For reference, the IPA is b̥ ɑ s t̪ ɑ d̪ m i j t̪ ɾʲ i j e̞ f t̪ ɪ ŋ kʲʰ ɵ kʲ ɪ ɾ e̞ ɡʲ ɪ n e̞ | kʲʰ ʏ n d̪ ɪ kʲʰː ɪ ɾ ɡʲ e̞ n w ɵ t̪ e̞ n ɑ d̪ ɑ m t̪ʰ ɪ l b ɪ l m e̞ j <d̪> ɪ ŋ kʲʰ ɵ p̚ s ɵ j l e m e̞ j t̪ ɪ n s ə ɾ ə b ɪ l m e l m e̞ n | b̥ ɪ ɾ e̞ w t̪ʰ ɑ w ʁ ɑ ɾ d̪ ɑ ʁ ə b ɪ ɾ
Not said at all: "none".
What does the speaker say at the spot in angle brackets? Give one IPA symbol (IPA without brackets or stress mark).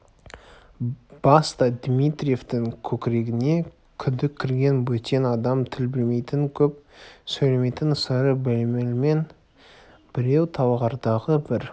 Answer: t̪